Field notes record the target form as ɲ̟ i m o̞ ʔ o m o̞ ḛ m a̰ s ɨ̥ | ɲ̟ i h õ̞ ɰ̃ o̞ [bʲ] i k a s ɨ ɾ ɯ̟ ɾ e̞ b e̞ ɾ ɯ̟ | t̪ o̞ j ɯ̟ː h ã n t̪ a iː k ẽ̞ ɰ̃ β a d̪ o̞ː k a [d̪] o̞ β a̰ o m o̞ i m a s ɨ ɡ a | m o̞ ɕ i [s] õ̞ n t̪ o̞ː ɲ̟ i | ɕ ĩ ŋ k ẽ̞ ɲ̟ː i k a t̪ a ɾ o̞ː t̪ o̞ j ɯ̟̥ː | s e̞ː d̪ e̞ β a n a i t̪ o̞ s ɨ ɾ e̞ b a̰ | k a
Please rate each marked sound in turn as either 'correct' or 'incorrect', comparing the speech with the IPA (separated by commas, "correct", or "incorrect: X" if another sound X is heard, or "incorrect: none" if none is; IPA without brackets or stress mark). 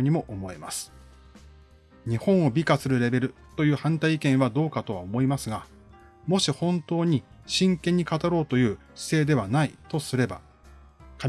correct, incorrect: t̪, incorrect: h